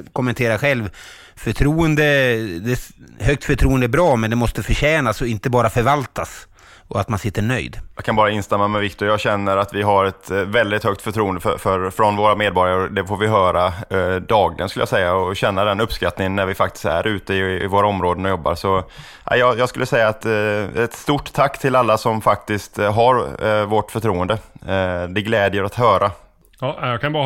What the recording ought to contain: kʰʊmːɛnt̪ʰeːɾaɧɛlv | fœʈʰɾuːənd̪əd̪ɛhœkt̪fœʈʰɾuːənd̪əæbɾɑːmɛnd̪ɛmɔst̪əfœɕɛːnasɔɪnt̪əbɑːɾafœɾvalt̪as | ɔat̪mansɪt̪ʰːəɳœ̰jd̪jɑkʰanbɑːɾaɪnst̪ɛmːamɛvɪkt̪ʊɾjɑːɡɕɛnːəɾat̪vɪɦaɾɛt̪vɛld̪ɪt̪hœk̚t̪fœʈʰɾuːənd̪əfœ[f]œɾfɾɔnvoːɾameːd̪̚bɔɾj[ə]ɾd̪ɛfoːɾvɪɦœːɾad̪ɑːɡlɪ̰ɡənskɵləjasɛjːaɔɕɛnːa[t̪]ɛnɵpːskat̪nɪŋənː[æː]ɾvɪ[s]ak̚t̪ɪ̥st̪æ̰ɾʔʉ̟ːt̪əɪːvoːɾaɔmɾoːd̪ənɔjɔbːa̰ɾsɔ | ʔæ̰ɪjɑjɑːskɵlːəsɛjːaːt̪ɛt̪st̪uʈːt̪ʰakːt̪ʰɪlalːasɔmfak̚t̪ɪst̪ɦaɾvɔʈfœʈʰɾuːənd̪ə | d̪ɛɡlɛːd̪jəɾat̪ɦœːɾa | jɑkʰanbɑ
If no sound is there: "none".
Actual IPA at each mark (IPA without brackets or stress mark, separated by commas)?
f, a, d̪, æ, f